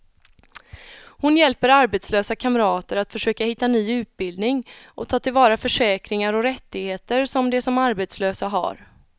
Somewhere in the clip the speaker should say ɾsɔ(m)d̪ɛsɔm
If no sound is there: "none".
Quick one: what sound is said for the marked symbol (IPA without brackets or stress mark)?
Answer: m